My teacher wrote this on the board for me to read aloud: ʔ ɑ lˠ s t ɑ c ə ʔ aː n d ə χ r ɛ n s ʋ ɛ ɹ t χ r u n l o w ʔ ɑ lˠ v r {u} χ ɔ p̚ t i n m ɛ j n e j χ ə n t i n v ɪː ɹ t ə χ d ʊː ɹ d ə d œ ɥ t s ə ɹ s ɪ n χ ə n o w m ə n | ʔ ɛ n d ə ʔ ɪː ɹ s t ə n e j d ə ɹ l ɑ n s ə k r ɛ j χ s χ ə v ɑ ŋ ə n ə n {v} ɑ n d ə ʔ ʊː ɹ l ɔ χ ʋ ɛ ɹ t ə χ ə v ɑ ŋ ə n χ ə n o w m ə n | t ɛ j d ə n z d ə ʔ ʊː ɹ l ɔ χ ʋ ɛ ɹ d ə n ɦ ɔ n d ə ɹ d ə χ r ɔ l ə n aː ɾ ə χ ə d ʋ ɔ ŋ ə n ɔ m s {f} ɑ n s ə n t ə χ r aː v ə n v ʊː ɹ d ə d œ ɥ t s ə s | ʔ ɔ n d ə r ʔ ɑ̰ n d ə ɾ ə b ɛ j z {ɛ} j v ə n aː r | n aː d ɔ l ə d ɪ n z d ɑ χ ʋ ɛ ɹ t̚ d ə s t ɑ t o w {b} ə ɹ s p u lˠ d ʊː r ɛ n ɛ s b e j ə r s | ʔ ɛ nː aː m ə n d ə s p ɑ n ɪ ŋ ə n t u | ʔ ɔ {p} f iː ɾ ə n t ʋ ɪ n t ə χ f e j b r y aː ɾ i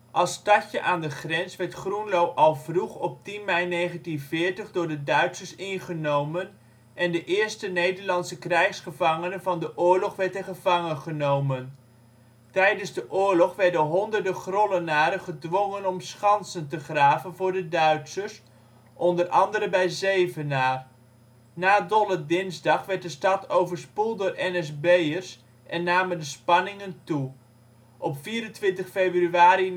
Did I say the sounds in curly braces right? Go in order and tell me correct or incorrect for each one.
correct, correct, incorrect: χ, incorrect: e, incorrect: v, correct

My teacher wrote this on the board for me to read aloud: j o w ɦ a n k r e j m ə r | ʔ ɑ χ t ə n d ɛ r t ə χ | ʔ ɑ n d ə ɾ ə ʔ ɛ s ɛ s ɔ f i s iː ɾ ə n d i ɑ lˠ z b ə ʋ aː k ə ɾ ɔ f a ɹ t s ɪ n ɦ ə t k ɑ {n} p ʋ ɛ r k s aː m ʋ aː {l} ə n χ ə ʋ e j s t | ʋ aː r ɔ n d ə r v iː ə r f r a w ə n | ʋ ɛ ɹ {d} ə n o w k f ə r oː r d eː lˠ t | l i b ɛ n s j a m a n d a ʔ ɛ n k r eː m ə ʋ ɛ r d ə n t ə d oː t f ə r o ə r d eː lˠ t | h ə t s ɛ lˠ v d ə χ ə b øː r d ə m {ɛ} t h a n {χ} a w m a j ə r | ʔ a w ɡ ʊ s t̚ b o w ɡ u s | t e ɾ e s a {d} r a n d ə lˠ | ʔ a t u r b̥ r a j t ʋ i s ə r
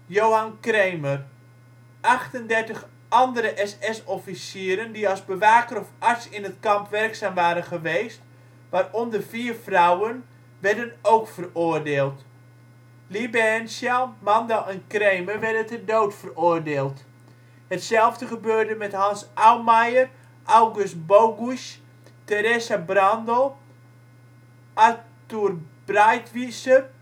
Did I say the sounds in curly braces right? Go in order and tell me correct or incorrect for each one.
incorrect: m, incorrect: ɾ, correct, correct, incorrect: s, incorrect: b

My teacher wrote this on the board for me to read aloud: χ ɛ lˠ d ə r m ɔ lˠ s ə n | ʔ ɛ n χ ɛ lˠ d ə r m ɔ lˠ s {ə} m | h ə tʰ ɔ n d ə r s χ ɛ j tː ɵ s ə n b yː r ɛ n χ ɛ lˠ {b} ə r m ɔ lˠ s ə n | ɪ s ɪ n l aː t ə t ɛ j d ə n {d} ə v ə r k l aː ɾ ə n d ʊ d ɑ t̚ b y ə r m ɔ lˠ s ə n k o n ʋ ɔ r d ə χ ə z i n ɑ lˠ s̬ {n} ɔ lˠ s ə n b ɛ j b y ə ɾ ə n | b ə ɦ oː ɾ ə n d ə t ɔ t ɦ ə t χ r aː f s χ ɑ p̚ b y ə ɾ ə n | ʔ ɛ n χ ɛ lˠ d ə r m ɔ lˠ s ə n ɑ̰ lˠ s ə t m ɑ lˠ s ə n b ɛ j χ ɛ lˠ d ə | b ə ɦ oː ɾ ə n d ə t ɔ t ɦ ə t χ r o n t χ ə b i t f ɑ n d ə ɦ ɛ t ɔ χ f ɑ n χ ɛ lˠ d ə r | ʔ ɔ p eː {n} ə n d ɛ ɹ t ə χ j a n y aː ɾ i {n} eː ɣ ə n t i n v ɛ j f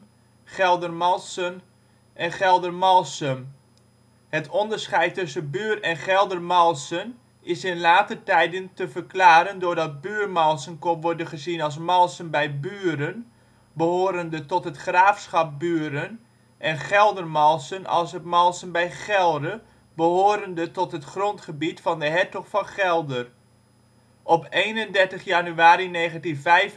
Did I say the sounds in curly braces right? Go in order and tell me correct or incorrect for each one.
correct, incorrect: d, incorrect: t, incorrect: m, correct, correct

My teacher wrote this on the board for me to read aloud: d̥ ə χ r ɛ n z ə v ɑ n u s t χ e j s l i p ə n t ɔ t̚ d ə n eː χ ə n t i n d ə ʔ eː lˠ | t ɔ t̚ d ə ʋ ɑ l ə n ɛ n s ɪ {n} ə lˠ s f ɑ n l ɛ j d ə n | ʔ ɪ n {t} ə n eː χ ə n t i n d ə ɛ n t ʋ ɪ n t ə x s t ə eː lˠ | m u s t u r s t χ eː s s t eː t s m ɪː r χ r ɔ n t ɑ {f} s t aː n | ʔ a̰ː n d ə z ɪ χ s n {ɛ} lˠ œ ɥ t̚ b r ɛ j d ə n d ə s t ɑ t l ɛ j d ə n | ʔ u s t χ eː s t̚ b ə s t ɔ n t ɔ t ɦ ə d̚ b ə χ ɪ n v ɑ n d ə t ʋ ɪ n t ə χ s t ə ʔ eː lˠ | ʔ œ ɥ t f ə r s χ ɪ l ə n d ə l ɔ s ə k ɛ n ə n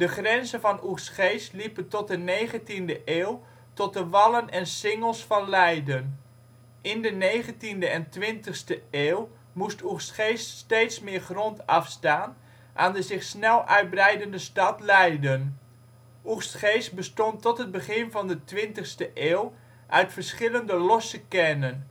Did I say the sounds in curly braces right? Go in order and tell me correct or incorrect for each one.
incorrect: ŋ, incorrect: d, correct, correct

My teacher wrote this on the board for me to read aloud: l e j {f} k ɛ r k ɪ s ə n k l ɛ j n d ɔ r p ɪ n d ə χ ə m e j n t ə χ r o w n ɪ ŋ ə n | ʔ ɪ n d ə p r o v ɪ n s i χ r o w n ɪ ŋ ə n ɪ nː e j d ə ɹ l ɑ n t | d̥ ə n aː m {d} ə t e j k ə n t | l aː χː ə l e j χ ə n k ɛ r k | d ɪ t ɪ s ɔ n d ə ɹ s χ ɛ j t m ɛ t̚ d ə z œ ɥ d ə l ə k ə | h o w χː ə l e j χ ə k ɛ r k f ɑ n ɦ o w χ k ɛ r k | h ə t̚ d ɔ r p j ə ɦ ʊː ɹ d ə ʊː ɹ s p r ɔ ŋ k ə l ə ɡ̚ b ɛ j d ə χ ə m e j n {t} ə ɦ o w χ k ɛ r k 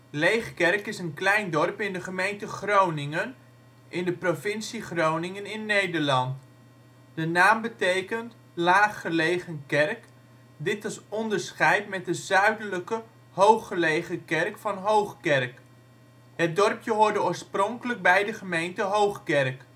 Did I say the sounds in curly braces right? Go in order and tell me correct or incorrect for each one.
incorrect: χ, incorrect: b, correct

